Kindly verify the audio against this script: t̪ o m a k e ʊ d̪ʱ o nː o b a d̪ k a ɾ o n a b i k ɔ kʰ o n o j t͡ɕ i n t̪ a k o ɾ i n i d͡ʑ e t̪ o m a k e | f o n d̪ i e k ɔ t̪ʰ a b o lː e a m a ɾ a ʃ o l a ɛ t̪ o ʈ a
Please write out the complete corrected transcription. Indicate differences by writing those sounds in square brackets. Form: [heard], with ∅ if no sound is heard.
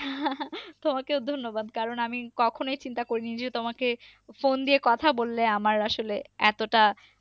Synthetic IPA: t̪ o m a k e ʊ d̪ʱ o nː o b a d̪ k a ɾ o n a [m] i k ɔ kʰ o n o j t͡ɕ i n t̪ a k o ɾ i n i d͡ʑ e t̪ o m a k e | f o n d̪ i e k ɔ t̪ʰ a b o lː e a m a ɾ a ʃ o l [e] ɛ t̪ o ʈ a